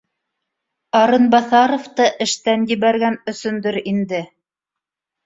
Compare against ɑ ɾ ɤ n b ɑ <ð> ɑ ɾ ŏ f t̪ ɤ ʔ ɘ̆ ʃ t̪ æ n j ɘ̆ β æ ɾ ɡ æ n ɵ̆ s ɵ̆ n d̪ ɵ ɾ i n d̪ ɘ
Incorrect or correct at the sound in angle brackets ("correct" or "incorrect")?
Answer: incorrect